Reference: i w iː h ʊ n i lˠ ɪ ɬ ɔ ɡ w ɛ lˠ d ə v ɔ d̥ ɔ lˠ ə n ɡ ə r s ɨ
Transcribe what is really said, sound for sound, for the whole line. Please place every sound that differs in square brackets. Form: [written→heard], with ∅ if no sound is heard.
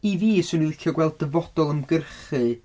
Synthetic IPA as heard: i [w→v] iː [h→s] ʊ n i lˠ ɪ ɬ ɔ ɡ w ɛ lˠ d ə v ɔ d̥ ɔ lˠ ə [n→m] ɡ ə r [s→χ] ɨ